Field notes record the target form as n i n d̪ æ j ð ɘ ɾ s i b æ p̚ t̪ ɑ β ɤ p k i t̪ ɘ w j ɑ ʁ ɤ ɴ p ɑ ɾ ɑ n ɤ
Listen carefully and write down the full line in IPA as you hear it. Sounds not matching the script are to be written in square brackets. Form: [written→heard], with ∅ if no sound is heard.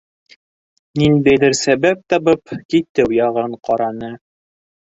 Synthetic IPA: n i n d̪ æ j ð ɘ ɾ s [i→æ] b æ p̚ t̪ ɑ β ɤ p k i t̪ ɘ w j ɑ ʁ ɤ ɴ [p→q] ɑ ɾ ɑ n ɤ